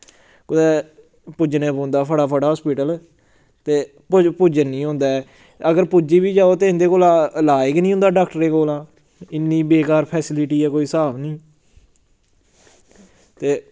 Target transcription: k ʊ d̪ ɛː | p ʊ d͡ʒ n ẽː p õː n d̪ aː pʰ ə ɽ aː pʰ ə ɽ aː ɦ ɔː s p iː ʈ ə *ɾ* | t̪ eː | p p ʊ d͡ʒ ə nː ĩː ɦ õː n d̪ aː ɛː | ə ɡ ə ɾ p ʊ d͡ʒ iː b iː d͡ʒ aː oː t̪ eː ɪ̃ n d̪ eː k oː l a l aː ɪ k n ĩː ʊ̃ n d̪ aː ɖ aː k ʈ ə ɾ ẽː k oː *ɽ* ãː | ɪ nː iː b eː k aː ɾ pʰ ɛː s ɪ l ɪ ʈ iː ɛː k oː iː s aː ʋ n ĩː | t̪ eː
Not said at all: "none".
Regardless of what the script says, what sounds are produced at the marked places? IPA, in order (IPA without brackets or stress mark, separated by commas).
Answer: l, l